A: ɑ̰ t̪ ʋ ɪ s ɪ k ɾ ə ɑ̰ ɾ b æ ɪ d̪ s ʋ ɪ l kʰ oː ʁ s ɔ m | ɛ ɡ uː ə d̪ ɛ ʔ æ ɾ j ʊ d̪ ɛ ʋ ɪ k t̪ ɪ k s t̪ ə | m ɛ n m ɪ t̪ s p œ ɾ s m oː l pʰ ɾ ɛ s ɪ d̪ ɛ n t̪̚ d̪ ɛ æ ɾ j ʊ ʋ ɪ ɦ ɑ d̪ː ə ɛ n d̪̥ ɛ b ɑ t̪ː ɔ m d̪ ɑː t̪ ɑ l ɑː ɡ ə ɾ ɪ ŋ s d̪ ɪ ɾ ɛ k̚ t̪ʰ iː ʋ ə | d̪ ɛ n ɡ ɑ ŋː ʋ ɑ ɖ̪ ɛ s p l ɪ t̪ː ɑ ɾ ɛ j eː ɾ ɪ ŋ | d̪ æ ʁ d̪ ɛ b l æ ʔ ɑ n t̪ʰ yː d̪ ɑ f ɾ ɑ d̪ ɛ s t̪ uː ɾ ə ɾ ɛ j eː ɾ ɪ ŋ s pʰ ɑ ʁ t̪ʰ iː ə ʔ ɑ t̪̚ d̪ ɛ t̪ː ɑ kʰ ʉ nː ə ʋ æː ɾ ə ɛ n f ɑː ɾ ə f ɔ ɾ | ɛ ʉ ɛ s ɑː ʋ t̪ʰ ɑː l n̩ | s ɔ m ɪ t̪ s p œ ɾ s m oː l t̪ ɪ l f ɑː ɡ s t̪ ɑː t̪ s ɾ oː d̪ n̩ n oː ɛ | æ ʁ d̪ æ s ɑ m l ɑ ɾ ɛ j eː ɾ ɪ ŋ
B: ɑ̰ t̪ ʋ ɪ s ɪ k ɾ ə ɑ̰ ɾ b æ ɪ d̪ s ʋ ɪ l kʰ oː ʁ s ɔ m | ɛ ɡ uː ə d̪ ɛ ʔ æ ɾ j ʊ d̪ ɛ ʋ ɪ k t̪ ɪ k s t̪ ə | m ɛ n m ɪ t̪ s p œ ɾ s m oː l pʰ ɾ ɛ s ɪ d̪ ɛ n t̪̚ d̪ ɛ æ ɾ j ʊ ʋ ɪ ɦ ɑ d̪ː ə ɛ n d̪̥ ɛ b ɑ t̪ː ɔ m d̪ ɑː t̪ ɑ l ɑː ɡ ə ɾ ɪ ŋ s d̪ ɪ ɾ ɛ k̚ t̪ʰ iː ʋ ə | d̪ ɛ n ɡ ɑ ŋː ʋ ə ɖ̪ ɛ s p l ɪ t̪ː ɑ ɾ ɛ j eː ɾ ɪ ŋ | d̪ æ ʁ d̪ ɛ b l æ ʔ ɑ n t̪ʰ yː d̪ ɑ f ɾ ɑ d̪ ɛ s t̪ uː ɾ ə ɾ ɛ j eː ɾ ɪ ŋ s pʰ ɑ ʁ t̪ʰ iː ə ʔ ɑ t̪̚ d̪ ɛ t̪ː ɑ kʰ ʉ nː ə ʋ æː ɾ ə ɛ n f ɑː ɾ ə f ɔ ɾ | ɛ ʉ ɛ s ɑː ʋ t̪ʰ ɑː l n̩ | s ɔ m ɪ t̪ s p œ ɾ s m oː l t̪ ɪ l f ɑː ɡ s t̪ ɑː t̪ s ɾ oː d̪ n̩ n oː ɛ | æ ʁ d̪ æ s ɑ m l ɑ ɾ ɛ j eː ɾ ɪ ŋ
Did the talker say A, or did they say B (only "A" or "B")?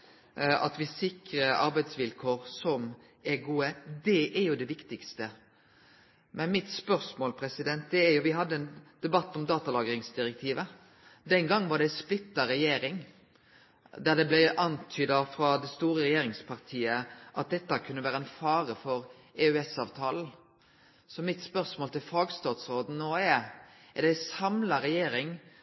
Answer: A